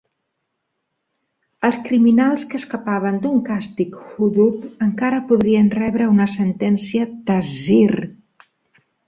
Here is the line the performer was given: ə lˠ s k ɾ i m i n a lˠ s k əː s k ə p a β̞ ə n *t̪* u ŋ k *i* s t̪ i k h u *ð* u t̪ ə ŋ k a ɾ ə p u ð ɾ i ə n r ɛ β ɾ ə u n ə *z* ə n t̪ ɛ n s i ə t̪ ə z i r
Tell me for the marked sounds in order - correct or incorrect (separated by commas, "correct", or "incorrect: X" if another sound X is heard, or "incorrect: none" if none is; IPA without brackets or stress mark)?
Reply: incorrect: d̪, incorrect: a, correct, incorrect: s